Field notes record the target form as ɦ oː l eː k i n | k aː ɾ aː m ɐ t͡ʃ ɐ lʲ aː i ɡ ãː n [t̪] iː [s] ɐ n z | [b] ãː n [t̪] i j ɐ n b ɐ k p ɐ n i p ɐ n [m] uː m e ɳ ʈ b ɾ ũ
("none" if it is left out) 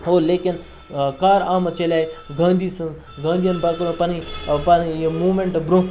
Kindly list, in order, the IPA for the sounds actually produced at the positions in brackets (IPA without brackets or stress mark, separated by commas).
d̪, s, ɡ, d̪, m